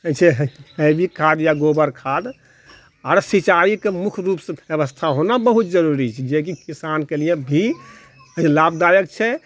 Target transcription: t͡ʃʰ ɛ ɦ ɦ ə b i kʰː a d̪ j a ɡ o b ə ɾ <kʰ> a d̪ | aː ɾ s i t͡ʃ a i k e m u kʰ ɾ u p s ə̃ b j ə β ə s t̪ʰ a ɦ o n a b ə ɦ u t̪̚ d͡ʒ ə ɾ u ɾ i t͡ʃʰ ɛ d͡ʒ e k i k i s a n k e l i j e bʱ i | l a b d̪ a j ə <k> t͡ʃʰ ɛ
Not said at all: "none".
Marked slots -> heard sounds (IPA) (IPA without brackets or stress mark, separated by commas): kʰ, k